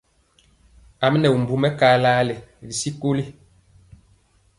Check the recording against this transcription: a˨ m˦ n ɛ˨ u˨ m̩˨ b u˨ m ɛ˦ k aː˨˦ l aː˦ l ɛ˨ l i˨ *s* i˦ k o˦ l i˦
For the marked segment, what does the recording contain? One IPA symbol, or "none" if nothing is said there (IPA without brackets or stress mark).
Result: s